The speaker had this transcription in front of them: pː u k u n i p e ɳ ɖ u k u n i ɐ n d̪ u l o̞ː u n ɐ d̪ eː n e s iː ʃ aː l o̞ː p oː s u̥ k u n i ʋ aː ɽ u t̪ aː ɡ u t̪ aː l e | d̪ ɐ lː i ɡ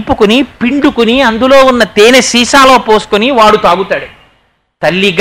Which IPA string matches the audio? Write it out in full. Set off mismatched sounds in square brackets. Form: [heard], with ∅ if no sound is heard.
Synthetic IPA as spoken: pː u k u n i p [i] ɳ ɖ u k u n i ɐ n d̪ u l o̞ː u [nː] ɐ [t̪] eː n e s iː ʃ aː l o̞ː p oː s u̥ k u n i ʋ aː ɽ u t̪ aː ɡ u t̪ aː [ɽ] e | [t̪] ɐ lː i ɡ